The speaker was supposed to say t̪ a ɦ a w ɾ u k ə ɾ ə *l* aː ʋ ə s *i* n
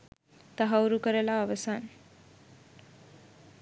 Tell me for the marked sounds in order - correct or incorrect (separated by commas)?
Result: correct, incorrect